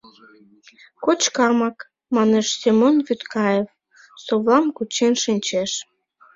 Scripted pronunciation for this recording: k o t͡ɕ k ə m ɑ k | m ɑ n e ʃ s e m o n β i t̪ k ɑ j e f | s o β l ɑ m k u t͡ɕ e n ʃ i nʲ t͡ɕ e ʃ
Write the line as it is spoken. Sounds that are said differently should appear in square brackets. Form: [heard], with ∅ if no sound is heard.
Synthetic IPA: k o t͡ɕ k [ɑ] m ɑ k | m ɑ n e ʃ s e m o n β [y] t̪ k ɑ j e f | s o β l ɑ m k u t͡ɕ e n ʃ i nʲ t͡ɕ e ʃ